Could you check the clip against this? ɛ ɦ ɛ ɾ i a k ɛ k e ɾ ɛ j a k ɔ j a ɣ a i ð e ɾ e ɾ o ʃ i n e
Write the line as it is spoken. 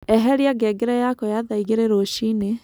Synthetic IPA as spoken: ɛ ɦ ɛ ɾ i a ɡ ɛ ɡ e ɾ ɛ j a k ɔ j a ð a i ɣ e ɾ e ɾ o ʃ i n e